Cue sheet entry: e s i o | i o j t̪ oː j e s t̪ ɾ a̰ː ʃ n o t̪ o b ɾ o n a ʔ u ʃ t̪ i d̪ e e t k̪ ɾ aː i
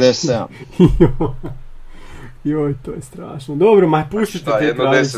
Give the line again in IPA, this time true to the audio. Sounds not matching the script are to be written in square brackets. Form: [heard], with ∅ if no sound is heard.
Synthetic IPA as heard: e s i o | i o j t̪ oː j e s t̪ ɾ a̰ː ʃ n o [d̪] o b ɾ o [m] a [p] u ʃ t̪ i [t̪] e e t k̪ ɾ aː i